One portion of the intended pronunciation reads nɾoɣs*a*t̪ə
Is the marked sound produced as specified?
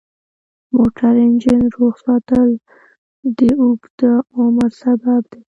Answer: no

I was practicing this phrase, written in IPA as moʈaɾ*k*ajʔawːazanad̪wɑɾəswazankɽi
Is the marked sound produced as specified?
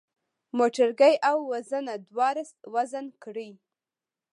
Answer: no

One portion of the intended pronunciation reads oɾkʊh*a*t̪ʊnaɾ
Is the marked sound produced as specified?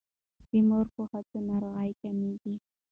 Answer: yes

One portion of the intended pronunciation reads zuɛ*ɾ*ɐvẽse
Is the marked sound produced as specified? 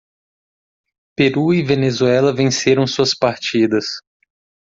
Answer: no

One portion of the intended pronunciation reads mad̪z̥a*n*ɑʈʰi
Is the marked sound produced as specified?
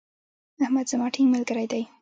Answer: no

